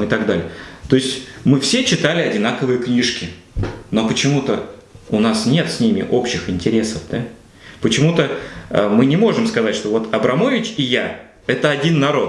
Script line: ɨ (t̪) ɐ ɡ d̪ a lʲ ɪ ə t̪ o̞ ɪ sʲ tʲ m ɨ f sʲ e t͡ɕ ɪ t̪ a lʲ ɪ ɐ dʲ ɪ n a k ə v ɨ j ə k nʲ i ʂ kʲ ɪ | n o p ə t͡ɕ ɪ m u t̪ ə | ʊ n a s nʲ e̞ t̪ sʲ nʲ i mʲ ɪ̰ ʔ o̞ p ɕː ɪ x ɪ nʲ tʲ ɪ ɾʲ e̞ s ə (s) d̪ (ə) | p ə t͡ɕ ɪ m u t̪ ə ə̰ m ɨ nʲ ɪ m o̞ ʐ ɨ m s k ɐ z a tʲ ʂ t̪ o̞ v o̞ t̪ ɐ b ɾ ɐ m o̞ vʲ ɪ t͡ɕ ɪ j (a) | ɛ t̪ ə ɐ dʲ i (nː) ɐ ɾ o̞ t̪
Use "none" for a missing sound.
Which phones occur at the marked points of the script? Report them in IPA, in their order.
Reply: t̪, f, a, a, nː

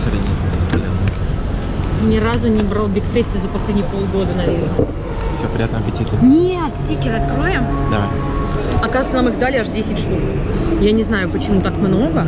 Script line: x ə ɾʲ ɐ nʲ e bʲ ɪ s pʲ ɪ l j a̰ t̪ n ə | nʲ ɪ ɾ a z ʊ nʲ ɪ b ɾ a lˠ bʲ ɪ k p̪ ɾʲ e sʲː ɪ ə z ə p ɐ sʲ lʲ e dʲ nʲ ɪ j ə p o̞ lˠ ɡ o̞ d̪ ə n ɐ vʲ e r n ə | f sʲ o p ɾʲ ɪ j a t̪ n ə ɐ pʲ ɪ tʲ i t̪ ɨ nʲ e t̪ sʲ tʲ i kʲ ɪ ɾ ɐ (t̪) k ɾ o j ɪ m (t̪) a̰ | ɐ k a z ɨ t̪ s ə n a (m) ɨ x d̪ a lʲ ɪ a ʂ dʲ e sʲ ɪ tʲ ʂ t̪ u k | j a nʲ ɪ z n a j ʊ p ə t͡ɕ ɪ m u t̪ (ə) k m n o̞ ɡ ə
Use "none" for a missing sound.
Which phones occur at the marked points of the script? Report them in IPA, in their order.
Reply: t̪, d̪, m, a

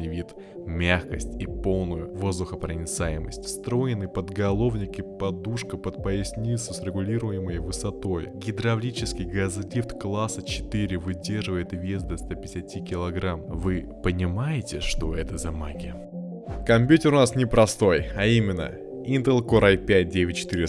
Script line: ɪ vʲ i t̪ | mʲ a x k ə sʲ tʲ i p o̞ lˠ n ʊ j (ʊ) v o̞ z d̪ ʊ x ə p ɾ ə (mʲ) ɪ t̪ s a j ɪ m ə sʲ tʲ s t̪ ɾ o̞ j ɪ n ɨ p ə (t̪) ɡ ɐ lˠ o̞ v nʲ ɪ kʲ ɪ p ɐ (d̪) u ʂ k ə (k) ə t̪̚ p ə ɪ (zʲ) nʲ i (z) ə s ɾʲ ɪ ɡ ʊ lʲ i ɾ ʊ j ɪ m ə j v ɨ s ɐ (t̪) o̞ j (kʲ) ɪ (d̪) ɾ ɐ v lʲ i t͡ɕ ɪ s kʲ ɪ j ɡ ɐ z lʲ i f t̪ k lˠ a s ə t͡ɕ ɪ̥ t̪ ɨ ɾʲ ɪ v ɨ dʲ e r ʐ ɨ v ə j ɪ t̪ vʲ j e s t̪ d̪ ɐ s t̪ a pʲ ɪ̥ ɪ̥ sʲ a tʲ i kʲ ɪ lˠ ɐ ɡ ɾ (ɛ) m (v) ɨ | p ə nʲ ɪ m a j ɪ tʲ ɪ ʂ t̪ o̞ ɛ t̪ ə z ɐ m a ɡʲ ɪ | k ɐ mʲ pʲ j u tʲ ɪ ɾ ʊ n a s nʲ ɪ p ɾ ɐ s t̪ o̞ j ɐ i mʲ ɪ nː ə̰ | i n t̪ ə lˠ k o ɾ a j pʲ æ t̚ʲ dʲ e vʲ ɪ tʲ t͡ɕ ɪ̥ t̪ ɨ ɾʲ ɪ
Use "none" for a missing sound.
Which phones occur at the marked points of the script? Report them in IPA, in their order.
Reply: ʊ, nʲ, d̪, d̪, p, sʲ, s, t̪, ɡʲ, d̪, a, v

